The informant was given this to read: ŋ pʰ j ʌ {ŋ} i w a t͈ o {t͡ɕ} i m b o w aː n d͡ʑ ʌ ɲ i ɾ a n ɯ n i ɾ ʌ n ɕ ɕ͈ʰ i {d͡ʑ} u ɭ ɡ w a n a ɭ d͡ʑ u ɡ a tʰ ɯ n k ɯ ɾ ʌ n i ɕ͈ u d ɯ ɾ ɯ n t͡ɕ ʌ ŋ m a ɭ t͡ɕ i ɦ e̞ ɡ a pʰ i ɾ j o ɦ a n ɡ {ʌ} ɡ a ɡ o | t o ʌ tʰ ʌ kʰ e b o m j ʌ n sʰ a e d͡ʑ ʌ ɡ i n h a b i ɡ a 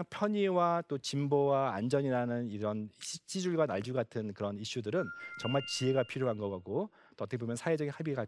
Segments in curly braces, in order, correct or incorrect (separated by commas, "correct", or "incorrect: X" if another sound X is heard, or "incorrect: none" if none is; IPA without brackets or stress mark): incorrect: ɲ, correct, correct, correct